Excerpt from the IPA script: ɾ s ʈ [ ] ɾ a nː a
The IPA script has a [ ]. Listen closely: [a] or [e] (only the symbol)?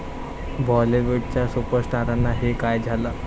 a